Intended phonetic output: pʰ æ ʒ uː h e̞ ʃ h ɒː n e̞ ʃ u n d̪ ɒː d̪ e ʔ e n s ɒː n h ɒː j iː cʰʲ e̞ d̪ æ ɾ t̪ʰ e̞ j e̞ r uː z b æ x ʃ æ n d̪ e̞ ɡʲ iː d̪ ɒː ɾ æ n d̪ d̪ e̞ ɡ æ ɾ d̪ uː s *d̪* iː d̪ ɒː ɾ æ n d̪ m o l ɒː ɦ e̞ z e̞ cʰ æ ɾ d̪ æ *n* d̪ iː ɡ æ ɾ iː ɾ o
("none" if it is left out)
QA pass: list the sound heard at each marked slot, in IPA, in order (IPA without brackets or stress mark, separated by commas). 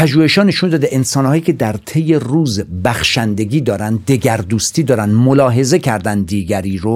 t̪, n